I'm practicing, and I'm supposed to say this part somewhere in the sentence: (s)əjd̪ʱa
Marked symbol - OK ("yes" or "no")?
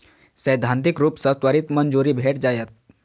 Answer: yes